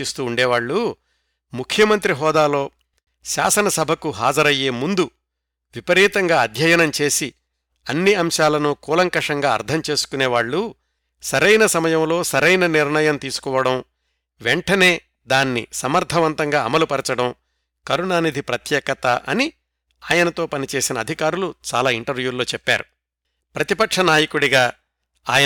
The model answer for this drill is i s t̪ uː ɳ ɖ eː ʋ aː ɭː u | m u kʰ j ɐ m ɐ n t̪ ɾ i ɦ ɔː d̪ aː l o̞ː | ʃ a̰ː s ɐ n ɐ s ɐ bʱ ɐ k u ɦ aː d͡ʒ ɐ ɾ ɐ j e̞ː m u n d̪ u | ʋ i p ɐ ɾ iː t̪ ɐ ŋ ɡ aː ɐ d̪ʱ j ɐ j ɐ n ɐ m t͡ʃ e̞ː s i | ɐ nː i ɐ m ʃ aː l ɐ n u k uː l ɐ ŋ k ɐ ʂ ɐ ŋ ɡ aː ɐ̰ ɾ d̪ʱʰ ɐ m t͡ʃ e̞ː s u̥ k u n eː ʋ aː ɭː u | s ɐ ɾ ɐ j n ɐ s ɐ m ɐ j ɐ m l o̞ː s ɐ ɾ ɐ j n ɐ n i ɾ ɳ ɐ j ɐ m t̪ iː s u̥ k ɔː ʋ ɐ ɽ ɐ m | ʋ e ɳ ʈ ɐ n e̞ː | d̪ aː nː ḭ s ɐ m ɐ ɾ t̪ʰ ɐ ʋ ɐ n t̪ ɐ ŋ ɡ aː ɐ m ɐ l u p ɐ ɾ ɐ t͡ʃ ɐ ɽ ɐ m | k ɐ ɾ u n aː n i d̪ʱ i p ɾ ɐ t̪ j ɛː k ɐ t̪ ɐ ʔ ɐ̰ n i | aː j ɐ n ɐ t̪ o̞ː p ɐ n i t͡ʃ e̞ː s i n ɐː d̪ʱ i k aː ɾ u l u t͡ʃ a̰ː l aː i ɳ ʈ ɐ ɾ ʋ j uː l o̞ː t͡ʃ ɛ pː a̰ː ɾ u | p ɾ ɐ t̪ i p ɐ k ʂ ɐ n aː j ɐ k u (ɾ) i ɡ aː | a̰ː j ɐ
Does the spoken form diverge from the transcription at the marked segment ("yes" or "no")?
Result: yes